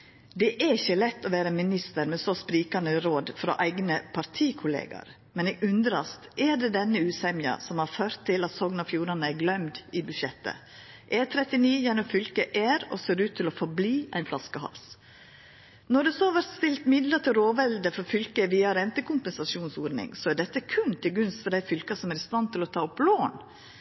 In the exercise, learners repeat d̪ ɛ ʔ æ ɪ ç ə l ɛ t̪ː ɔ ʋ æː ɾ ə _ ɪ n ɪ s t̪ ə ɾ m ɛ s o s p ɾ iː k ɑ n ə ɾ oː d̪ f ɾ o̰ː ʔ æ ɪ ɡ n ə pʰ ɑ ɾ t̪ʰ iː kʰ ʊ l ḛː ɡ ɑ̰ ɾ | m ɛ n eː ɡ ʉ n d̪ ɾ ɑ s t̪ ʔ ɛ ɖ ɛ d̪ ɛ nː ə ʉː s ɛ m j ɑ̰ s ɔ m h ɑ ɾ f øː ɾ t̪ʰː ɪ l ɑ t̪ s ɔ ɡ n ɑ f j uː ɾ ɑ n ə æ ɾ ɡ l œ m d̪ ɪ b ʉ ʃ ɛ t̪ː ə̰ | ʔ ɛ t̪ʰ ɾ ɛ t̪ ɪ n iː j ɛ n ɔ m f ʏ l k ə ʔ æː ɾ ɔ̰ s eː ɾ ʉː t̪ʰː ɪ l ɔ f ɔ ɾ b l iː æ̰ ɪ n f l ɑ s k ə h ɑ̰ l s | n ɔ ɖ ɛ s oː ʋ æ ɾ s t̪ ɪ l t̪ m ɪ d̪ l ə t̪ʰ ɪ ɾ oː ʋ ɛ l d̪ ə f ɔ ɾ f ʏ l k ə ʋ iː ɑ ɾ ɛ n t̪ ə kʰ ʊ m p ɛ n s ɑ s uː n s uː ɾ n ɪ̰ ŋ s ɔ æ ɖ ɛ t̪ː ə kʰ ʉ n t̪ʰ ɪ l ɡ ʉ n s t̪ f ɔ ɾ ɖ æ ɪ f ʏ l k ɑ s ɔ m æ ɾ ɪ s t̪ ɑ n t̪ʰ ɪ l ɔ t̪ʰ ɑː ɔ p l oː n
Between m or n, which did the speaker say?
m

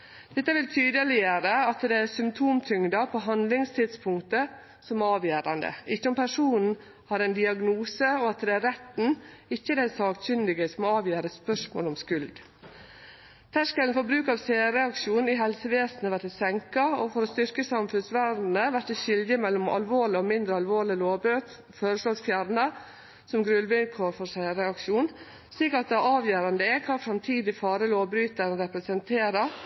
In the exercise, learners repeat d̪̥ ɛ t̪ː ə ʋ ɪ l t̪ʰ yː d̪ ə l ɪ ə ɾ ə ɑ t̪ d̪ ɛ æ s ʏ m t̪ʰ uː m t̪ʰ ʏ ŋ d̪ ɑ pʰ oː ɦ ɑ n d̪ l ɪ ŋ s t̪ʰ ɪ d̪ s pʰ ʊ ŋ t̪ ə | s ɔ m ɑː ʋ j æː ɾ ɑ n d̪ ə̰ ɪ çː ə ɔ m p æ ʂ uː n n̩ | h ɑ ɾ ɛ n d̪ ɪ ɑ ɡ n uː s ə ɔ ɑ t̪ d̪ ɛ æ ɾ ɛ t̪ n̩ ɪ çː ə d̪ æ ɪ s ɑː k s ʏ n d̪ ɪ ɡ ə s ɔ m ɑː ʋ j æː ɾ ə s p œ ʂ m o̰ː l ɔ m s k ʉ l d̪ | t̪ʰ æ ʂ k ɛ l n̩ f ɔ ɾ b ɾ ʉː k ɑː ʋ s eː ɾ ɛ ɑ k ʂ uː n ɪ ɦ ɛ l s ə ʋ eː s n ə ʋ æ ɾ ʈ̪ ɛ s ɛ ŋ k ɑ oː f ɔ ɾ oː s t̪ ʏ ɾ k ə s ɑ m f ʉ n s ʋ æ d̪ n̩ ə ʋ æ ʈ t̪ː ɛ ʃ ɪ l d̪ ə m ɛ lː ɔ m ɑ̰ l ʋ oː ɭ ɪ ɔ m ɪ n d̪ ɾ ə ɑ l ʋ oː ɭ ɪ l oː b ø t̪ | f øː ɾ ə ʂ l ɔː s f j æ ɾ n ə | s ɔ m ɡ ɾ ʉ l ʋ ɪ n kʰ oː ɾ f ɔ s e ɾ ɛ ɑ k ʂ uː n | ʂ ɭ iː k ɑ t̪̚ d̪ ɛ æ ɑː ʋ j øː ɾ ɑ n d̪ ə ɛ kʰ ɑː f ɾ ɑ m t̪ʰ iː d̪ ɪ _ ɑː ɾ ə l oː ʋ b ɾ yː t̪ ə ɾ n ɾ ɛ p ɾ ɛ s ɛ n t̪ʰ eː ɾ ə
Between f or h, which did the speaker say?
f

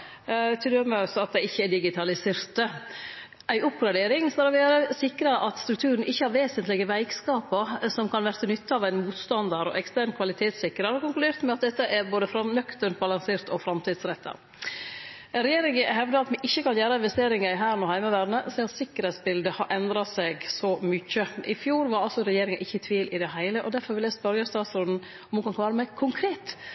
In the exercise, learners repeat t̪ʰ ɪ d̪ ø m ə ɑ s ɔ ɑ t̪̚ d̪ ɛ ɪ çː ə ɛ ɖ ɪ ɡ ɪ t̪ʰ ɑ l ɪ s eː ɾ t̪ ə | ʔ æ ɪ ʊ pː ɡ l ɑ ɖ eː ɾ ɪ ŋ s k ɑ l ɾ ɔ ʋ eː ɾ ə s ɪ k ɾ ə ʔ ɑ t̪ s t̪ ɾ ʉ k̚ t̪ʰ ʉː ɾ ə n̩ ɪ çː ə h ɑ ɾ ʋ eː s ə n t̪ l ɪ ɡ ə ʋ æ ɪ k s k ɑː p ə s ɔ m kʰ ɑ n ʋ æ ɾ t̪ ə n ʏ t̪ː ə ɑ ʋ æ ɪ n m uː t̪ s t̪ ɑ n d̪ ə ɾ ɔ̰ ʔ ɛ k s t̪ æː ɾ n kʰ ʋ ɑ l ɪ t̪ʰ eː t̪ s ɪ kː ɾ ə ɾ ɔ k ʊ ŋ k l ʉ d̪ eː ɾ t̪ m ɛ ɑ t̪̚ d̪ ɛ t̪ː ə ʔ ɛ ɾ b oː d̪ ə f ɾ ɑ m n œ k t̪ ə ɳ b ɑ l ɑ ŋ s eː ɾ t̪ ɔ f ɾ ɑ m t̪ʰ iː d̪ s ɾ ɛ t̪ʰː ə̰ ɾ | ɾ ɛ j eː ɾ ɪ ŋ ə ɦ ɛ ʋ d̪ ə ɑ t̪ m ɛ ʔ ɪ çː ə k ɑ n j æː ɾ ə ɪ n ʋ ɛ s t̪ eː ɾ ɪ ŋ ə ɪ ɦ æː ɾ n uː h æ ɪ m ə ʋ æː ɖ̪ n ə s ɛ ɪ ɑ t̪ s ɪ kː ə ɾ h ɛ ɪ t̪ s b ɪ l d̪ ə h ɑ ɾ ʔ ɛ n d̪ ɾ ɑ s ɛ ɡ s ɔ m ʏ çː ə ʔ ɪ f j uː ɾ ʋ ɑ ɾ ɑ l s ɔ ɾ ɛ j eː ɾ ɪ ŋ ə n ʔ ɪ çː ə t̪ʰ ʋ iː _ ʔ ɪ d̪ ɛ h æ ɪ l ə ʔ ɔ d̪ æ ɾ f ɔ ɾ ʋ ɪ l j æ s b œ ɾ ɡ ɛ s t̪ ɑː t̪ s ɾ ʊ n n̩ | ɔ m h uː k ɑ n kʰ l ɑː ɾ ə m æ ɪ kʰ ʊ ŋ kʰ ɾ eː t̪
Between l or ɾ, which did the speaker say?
l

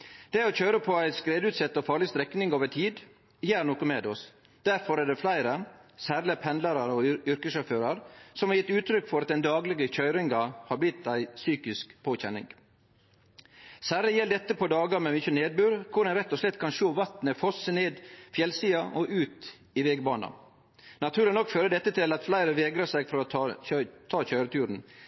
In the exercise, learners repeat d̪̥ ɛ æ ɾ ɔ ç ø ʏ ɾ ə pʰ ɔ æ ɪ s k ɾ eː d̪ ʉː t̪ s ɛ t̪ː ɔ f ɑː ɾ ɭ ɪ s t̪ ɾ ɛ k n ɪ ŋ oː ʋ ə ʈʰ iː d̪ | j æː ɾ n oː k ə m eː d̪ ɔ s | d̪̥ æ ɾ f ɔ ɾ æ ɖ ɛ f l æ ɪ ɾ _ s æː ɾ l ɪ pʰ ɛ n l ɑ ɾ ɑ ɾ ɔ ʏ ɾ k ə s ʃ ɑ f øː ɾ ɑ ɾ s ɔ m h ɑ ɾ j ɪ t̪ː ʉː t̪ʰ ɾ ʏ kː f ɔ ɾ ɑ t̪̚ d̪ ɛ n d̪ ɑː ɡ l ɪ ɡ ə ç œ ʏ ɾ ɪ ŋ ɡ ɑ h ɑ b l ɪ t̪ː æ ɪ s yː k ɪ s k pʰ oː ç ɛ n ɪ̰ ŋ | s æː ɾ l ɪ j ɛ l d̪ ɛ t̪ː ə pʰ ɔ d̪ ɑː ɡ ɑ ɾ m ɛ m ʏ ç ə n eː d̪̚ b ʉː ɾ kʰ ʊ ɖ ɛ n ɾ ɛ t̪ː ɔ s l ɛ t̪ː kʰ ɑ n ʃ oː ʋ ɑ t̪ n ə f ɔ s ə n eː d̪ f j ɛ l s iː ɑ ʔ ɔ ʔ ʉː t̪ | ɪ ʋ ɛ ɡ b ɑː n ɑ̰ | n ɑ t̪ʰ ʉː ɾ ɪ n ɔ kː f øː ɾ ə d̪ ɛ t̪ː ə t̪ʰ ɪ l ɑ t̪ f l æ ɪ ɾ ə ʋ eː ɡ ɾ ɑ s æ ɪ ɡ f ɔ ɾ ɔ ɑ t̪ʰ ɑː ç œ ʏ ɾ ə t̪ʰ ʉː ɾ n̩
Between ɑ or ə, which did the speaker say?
ə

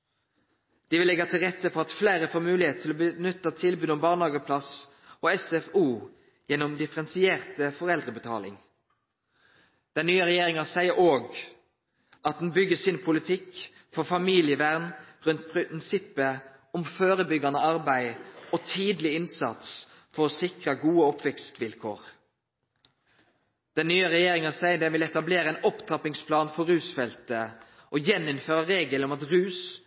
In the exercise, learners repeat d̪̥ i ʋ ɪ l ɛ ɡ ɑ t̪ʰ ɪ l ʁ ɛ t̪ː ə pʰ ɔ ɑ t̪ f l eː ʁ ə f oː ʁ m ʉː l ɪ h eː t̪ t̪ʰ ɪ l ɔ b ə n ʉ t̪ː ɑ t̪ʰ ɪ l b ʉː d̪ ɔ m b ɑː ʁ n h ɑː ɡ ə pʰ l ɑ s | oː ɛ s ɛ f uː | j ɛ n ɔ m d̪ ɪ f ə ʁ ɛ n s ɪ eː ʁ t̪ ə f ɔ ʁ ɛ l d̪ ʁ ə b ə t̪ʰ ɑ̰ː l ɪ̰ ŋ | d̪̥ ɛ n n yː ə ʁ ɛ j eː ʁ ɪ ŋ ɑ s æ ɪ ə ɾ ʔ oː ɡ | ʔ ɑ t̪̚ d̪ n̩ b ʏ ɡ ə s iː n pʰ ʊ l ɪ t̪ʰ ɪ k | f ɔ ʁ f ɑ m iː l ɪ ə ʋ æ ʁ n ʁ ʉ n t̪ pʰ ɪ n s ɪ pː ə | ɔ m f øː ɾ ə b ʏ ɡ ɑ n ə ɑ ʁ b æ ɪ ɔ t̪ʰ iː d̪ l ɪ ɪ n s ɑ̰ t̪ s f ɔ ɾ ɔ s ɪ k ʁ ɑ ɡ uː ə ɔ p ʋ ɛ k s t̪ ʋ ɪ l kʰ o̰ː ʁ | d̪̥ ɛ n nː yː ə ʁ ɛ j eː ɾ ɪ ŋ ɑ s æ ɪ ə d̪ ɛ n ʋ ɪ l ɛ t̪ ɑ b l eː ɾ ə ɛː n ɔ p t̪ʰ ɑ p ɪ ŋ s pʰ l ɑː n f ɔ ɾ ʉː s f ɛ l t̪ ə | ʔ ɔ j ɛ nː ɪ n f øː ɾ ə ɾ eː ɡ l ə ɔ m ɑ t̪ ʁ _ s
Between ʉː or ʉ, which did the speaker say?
ʉː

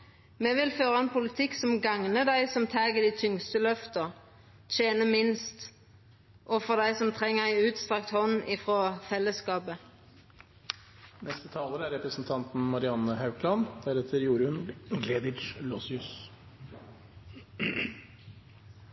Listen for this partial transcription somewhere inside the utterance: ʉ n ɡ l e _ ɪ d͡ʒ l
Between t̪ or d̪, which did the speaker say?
d̪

